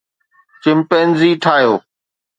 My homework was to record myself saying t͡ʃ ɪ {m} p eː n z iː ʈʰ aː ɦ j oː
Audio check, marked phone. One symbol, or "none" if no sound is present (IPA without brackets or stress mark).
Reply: m